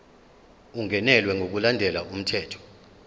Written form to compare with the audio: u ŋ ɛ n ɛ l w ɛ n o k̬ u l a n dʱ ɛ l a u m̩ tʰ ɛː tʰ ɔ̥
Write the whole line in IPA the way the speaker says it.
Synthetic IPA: u ŋ ɛ n ɛ l w ɛ ŋ o k̬ u l a n dʱ ɛ l a u m̩ tʰ ɛː tʰ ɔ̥